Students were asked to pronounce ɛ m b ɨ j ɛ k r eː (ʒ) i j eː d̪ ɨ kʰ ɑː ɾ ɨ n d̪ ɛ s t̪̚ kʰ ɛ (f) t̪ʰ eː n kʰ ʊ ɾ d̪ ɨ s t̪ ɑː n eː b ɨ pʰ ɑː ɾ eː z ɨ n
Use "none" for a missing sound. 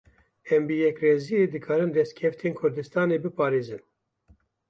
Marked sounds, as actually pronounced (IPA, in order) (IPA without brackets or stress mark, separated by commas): z, f